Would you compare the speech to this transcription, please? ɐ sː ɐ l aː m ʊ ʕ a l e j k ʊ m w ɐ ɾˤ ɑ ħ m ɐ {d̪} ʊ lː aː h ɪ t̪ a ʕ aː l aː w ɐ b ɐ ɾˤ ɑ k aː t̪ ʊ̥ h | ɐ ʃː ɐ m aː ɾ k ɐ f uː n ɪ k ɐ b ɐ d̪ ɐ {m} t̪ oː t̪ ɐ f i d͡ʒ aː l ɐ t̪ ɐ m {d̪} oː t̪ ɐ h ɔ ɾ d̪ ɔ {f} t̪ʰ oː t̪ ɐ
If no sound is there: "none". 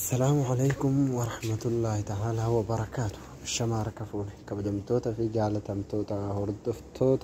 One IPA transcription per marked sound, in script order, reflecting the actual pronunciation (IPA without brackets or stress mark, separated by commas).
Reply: t̪, m, t̪, f